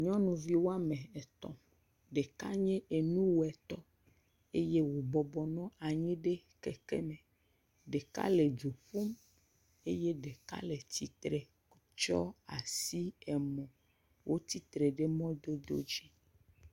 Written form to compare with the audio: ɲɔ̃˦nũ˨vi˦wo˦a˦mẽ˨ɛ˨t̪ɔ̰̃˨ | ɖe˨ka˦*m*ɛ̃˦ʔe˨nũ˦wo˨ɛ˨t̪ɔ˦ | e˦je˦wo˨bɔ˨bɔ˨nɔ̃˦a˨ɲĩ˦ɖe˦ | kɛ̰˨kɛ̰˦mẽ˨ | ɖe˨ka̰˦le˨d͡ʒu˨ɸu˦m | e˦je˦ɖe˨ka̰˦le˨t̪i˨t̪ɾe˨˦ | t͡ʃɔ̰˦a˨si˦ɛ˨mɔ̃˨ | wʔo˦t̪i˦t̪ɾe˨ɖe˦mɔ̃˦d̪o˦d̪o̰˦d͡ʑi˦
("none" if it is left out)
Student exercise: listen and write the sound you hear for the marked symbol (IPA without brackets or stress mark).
ɲ